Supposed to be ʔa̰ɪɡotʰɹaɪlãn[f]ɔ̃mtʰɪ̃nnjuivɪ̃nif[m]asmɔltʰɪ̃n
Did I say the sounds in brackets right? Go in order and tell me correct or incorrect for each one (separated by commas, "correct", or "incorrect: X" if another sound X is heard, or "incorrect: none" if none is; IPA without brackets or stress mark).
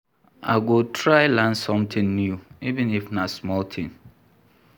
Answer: incorrect: s, incorrect: n